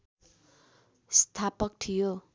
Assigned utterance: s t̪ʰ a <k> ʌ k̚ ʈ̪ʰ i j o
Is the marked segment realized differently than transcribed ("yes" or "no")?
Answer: yes